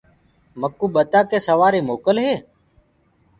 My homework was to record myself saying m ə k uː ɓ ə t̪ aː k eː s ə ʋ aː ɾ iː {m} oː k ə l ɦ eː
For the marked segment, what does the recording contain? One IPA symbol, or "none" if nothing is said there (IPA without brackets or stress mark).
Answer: m